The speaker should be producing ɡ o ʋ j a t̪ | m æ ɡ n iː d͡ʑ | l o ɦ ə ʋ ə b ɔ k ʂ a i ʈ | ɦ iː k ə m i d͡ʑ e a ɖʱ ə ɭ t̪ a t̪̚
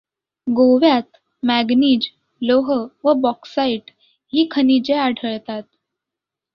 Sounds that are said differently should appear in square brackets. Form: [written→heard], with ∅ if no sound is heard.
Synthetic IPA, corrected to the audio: ɡ o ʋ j a t̪ | m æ ɡ n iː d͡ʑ | l o ɦ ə ʋ ə b ɔ k [ʂ→s] a i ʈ | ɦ iː [k→kʰ] ə [m→n] i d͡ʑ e a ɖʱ ə ɭ t̪ a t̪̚

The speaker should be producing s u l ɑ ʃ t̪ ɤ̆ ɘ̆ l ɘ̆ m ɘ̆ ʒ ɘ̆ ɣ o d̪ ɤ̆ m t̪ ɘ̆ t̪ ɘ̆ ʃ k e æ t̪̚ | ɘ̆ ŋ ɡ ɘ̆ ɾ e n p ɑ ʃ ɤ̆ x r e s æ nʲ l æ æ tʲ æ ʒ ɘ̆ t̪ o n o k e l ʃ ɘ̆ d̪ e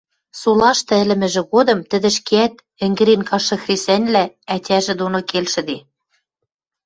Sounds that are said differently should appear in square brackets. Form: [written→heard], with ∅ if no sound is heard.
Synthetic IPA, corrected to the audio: s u l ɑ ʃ t̪ ɤ̆ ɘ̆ l ɘ̆ m ɘ̆ ʒ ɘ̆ ɣ o d̪ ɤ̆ m t̪ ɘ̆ [t̪→d̪] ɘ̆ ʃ k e æ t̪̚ | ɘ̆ ŋ ɡ ɘ̆ ɾ e n [p→k] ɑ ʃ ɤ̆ x r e s æ nʲ l æ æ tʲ æ ʒ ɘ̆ [t̪→d̪] o n o k e l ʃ ɘ̆ d̪ e

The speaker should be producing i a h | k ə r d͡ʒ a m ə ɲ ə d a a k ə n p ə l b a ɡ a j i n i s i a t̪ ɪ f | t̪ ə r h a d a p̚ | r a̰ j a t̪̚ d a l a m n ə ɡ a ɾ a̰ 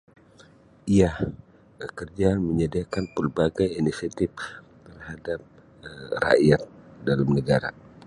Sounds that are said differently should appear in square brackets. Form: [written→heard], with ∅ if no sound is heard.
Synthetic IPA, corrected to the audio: i a h | k ə r d͡ʒ a m ə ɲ ə d [a→i] a k [ə→a] n p ə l b a ɡ a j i n i s i a t̪ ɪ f | t̪ ə r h a d a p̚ | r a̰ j a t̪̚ d a l a m n ə ɡ a ɾ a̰

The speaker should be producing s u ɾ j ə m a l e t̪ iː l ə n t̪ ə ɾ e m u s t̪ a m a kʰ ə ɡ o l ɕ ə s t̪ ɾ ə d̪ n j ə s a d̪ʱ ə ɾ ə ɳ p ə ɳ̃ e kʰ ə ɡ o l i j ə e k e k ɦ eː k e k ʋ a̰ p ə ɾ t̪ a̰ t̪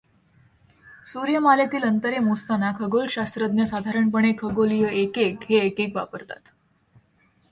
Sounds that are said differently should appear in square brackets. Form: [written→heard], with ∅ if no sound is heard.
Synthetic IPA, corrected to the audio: s u ɾ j ə m a l e t̪ iː l ə n t̪ ə ɾ e m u s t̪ a [m→n] a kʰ ə ɡ o l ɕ [ə→a] s t̪ ɾ ə d̪ n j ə s a d̪ʱ [ə→a] ɾ ə ɳ p ə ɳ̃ e kʰ ə ɡ o l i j ə e k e k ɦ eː k e k ʋ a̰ p ə ɾ t̪ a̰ t̪

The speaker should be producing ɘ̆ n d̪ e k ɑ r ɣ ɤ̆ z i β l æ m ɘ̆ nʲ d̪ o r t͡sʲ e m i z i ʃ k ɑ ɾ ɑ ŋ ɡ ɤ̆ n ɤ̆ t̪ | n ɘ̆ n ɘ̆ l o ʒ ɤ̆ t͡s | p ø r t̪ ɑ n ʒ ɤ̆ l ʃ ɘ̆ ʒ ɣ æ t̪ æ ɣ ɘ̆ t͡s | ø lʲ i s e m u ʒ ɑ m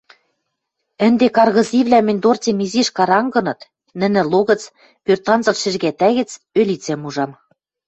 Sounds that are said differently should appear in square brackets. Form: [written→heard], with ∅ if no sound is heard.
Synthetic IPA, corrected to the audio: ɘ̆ n d̪ e k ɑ r ɣ ɤ̆ z i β l æ m ɘ̆ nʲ d̪ o r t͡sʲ e m i z i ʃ k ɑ ɾ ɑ ŋ ɡ ɤ̆ n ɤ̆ t̪ | n ɘ̆ n ɘ̆ l o [ʒ→ɣ] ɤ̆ t͡s | p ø r t̪ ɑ n [ʒ→z] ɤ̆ l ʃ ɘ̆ ʒ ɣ æ t̪ æ ɣ ɘ̆ t͡s | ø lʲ i [s→t͡s] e m u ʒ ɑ m

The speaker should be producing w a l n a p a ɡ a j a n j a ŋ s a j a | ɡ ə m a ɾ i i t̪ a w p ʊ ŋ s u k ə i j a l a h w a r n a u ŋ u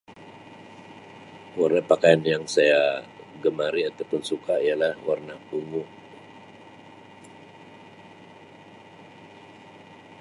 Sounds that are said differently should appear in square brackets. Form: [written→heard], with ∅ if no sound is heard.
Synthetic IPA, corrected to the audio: w a [l→r] n a p a [ɡ→k] a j a n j a ŋ s a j a | ɡ ə m a ɾ i [i→a] t̪ a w p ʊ [ŋ→n] s u k [ə→a] i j a l a h w a r n a u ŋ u

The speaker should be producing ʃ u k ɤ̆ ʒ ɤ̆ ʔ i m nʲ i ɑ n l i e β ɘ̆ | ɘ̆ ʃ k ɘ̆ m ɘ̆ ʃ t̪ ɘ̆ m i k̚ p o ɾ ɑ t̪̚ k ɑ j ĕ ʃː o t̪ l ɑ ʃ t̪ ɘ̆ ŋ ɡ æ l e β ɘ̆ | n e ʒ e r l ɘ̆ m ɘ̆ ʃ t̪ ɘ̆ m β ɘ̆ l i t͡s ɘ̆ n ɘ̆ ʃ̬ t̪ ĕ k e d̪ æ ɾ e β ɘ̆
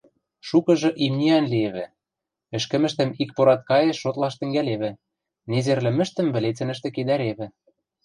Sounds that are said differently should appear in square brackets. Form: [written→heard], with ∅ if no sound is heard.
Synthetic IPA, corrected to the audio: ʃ u k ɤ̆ ʒ ɤ̆ ʔ i m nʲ i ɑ n l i e β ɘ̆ | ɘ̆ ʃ k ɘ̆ m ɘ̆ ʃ t̪ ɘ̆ m i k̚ p o ɾ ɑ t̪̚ k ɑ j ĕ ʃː o t̪ l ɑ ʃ t̪ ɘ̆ ŋ ɡ æ l e β ɘ̆ | n e [ʒ→z] e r l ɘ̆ m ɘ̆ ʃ t̪ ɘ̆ m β ɘ̆ l [i→e] t͡s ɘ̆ n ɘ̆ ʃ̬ t̪ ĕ k e d̪ æ ɾ e β ɘ̆

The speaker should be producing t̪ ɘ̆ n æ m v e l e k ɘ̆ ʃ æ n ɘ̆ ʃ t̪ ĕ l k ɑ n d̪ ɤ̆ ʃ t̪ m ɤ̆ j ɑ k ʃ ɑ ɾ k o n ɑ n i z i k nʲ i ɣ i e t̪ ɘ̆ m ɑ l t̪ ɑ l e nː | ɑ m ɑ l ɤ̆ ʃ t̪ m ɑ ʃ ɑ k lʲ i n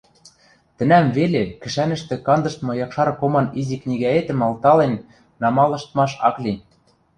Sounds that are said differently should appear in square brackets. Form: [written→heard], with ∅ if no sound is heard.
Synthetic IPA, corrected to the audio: t̪ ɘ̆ n æ m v e l e k ɘ̆ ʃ æ n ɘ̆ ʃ t̪ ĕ [l→∅] k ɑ n d̪ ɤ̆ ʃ t̪ m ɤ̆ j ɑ k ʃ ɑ ɾ k o [n→m] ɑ n i z i k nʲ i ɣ [i→æ] e t̪ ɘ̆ m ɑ l t̪ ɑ l e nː | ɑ m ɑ l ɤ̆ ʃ t̪ m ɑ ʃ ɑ k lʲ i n

